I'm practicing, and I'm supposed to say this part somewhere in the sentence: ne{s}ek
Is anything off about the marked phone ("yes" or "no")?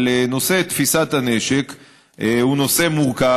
yes